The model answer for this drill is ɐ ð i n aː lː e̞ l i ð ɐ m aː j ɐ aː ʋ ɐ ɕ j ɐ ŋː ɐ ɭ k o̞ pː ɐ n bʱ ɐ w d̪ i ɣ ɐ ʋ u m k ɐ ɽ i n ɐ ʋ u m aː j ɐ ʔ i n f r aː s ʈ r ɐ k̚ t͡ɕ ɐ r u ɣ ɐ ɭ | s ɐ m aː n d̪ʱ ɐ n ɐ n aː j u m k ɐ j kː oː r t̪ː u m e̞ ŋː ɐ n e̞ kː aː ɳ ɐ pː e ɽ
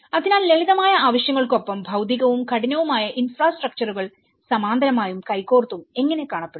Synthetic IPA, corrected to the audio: ɐ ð i n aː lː e̞ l i ð ɐ m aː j ɐ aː ʋ ɐ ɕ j ɐ ŋː ɐ ɭ k o̞ pː ɐ m bʱ ɐ w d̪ i ɣ ɐ ʋ u m k ɐ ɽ i n ɐ ʋ u m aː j ɐ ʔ i n f r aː s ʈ r ɐ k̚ t͡ɕ ɐ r u ɣ ɐ ɭ | s ɐ m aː n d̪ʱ ɐ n ɐ m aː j u m k ɐ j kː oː r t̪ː u m e̞ ŋː ɐ n e̞ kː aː ɳ ɐ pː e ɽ